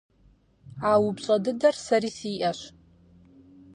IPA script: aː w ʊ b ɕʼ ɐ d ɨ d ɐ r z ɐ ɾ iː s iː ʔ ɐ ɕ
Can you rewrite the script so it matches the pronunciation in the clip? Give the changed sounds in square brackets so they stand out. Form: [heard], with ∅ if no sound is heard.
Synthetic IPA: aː w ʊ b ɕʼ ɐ d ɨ d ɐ r [s] ɐ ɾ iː s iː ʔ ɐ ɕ